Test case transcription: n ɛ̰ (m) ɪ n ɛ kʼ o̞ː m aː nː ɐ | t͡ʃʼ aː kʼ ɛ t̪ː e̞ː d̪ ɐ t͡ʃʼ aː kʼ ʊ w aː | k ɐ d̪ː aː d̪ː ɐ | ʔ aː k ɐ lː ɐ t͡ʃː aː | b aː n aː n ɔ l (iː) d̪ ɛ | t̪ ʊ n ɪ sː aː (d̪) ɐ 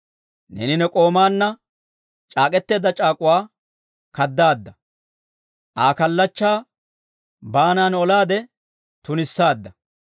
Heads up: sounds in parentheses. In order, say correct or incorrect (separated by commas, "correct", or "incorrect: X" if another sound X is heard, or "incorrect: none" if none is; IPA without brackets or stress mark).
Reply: incorrect: n, incorrect: aː, incorrect: d̪ː